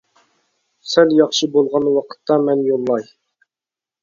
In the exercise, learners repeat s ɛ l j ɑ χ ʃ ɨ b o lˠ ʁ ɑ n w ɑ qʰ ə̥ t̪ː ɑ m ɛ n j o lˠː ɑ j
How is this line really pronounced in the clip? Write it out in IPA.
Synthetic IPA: s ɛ l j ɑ χ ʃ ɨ b o lˠ ʁ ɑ n w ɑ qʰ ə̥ t̪ː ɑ m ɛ n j o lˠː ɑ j